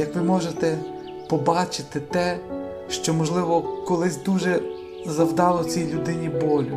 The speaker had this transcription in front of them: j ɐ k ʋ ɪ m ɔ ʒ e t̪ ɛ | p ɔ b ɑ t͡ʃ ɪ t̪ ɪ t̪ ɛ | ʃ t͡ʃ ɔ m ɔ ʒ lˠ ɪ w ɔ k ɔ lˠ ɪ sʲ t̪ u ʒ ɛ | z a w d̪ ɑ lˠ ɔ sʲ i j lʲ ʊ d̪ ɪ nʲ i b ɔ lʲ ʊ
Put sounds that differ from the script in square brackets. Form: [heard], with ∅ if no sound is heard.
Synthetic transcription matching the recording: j ɐ k ʋ ɪ m ɔ ʒ e t̪ ɛ | p ɔ b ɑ t͡ʃ ɪ t̪ ɪ t̪ ɛ | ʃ t͡ʃ ɔ m ɔ ʒ lˠ ɪ [ʋ] ɔ k ɔ lˠ ɪ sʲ [d̪] u ʒ ɛ | z [ɐ] w d̪ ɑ lˠ ɔ [t͡sʲ] i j lʲ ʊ d̪ ɪ nʲ i b ɔ lʲ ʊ